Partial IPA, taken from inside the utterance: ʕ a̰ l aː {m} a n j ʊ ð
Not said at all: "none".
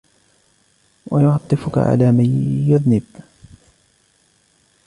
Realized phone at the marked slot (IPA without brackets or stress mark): m